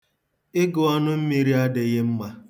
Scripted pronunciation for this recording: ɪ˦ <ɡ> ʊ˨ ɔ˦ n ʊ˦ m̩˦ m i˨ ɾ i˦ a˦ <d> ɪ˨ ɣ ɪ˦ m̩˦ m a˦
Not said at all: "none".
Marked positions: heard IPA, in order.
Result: ɡ, d

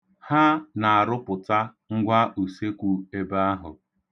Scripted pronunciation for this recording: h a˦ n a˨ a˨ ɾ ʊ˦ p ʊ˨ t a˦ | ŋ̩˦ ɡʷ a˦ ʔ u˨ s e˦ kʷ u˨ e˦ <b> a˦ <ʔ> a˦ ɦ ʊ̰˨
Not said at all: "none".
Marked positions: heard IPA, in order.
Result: b, none

